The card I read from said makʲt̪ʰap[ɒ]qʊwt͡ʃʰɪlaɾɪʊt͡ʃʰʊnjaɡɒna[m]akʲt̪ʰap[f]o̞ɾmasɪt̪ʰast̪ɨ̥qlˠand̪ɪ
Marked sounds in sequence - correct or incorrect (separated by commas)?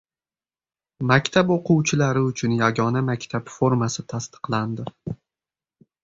incorrect, correct, correct